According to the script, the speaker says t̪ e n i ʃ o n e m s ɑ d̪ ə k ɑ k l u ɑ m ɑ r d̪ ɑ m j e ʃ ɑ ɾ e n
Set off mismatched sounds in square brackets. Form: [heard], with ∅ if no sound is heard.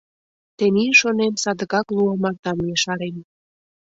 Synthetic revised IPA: t̪ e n i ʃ o n e m s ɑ d̪ ə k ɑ k l u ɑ m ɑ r [t̪] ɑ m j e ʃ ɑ ɾ e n